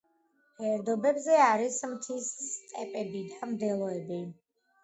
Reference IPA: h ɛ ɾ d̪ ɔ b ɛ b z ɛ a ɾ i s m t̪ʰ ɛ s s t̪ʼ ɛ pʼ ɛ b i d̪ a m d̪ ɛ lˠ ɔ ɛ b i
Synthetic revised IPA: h ɛ ɾ d̪ ɔ b ɛ b z ɛ a ɾ i s m t̪ʰ i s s t̪ʼ ɛ pʼ ɛ b i d̪ a m d̪ ɛ lˠ ɔ ɛ b i